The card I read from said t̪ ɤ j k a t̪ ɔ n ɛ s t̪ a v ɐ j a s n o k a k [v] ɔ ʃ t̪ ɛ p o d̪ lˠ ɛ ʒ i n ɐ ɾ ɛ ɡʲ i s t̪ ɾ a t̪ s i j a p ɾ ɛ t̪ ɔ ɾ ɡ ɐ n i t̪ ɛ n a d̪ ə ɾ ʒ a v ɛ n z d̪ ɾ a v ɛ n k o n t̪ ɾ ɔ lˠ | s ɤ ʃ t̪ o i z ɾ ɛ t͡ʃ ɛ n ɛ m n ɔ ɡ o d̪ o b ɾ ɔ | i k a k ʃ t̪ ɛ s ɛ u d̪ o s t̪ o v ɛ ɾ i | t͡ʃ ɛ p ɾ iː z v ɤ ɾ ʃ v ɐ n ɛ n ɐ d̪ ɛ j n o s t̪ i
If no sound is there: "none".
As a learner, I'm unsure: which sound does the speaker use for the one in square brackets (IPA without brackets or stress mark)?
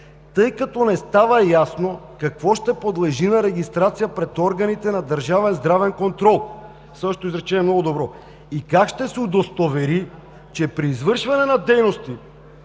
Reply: v